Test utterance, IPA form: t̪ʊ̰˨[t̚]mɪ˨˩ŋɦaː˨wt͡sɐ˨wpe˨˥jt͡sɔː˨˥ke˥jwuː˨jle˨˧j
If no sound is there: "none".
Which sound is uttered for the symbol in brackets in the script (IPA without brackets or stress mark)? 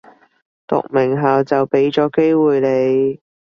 k̚